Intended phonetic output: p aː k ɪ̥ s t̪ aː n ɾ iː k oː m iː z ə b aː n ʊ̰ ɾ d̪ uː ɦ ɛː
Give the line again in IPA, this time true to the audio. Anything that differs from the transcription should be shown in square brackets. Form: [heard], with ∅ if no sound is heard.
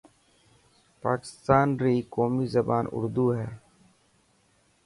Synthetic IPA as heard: p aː k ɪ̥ s t̪ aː n ɾ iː k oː m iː z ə b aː n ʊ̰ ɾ d̪ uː ɦ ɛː